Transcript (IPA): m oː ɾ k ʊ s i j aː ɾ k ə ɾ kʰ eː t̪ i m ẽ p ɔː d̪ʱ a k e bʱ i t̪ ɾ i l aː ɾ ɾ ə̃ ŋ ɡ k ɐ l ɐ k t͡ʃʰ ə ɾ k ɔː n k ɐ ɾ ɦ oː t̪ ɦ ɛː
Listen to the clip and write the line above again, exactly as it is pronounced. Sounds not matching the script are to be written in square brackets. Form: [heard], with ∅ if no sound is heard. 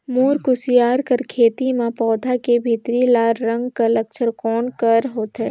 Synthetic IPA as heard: m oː ɾ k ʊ s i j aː ɾ k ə ɾ kʰ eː t̪ i m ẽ p ɔː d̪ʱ a k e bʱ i t̪ ɾ i l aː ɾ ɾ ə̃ ŋ ɡ k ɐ l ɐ k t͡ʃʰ ə ɾ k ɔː n k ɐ ɾ ɦ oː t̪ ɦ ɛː